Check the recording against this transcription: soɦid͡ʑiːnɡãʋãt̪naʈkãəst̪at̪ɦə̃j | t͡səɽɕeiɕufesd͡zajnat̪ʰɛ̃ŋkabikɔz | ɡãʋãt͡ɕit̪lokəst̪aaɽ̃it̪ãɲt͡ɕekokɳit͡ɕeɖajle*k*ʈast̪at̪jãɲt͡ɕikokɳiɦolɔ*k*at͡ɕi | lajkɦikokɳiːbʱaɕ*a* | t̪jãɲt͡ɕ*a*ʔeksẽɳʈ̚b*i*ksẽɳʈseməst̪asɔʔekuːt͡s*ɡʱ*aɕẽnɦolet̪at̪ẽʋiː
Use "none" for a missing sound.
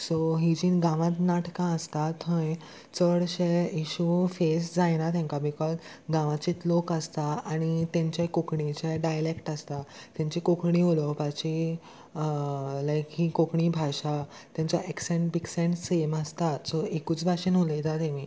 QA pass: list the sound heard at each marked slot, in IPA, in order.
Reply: k, p, a, a, i, bʱ

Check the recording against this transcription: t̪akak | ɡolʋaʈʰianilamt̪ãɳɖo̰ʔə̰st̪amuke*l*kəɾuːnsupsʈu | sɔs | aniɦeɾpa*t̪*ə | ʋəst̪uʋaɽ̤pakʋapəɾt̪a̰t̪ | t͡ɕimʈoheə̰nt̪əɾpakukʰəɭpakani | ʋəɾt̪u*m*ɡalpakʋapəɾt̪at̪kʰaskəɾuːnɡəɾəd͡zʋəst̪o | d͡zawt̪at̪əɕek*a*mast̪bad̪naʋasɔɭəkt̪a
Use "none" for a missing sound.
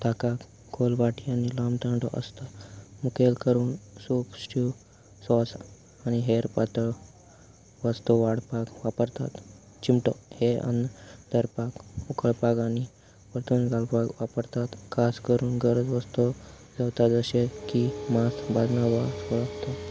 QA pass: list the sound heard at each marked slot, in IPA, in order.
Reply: l, t̪, n, i

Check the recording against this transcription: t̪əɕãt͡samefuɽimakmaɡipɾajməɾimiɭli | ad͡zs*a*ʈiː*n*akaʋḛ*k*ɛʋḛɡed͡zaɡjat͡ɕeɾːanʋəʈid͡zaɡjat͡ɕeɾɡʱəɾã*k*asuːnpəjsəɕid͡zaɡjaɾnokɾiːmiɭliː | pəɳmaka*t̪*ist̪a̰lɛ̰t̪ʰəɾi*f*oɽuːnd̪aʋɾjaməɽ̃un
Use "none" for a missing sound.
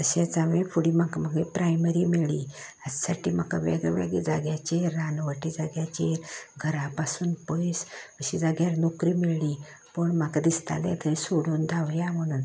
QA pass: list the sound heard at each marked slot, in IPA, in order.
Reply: a, m, ɡ, p, d̪, s

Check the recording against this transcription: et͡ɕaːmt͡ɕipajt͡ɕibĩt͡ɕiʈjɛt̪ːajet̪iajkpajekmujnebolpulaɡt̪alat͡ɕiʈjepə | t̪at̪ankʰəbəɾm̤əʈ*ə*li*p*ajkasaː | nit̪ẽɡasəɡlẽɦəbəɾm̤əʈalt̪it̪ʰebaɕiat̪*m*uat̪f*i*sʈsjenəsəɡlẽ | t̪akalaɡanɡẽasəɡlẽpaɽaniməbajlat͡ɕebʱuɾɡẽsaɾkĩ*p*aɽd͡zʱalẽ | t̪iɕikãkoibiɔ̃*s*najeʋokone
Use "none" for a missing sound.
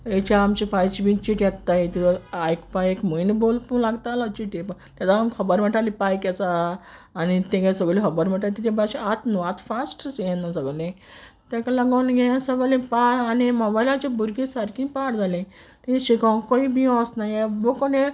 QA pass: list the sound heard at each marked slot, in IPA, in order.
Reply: a, p, n, a, p, s

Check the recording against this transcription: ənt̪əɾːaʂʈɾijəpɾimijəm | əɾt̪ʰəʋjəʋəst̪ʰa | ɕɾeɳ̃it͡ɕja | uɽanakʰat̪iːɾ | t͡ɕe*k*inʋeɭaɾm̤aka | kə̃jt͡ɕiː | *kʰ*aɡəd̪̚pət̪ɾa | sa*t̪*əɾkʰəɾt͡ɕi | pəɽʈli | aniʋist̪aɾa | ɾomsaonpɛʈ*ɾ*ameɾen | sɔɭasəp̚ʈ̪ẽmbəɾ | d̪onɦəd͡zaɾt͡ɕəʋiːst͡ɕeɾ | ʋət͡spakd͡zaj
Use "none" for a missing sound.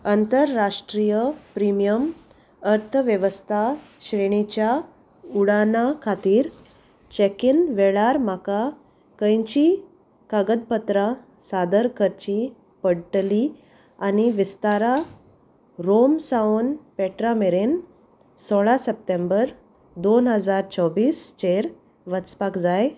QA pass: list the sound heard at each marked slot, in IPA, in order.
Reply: k, k, d̪, ɾ

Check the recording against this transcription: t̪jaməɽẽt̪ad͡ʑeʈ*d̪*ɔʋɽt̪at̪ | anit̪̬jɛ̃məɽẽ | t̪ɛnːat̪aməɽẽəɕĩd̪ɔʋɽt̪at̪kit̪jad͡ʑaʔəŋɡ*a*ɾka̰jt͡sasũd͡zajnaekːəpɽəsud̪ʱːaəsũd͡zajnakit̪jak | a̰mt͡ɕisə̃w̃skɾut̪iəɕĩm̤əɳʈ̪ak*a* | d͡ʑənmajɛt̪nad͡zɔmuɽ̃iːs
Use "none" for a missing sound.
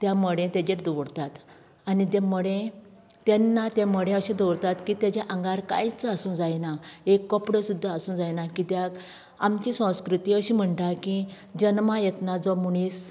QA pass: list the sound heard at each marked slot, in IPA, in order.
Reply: d̪, a, i

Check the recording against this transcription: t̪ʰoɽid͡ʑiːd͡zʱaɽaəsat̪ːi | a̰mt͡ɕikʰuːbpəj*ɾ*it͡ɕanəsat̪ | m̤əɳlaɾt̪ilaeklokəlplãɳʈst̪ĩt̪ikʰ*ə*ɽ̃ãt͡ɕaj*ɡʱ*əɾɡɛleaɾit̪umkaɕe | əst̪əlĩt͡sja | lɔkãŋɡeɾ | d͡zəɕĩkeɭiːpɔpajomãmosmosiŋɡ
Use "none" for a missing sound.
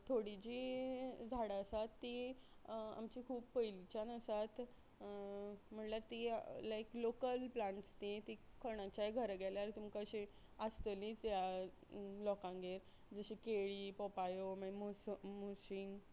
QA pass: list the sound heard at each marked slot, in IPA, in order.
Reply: l, ə, ɡʱ

